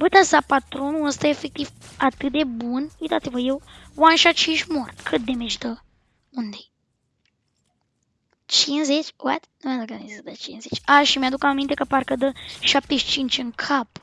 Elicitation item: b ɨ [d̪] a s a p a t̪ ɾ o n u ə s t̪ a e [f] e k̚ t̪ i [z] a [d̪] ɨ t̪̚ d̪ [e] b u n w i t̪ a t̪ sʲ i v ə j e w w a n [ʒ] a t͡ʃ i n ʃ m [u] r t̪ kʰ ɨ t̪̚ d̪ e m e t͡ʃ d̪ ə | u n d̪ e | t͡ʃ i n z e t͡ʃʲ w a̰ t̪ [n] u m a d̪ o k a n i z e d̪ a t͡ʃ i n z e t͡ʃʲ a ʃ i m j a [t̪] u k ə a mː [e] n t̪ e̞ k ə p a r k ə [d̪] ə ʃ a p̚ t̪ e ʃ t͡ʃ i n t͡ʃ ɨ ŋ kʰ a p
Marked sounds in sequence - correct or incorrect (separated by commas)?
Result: incorrect, correct, incorrect, incorrect, correct, incorrect, incorrect, correct, incorrect, incorrect, correct